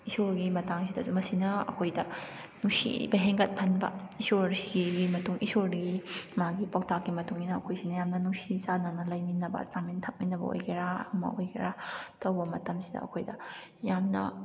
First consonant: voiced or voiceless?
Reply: voiceless